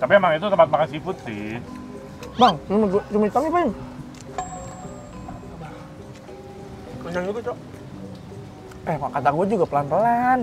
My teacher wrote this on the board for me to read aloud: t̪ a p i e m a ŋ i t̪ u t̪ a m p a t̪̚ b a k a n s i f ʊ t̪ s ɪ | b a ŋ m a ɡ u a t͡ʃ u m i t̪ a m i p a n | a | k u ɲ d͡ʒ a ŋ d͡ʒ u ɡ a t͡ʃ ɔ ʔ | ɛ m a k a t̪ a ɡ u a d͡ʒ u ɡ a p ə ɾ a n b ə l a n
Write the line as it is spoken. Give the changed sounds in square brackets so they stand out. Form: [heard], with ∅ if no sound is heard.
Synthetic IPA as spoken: t̪ a p i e m a ŋ i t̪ u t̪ [ə] m p a t̪̚ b a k a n s i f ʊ t̪ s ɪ | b a ŋ m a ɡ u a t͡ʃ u m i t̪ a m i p a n | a | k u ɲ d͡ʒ a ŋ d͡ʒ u ɡ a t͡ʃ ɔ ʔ | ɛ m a k a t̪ a ɡ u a d͡ʒ u ɡ a p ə [l] a n [p] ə l a n